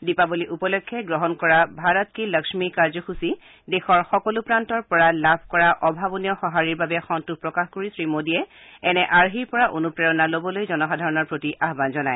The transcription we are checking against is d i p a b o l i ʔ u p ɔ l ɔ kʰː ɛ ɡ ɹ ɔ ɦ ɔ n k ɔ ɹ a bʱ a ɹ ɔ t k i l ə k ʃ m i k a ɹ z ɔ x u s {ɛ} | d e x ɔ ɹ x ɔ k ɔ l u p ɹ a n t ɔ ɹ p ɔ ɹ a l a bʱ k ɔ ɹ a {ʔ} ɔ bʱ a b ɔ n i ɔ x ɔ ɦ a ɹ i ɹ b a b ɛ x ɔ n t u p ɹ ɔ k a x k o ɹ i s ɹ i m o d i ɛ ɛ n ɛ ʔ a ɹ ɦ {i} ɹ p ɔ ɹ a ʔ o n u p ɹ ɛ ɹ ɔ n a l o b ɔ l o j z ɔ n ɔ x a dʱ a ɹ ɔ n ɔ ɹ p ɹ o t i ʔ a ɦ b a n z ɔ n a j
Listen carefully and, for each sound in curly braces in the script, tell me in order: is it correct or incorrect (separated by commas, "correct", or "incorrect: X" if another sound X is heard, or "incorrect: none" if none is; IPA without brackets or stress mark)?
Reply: incorrect: i, correct, correct